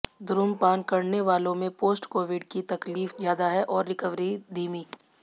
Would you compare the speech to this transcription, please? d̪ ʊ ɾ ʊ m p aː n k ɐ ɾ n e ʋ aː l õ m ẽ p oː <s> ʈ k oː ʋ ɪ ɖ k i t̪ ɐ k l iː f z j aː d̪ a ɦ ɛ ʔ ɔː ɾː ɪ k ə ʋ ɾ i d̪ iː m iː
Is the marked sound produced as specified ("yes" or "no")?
yes